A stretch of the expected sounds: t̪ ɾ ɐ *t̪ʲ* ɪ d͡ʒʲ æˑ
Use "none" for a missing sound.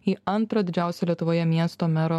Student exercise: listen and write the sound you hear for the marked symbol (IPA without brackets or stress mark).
d̪ʲ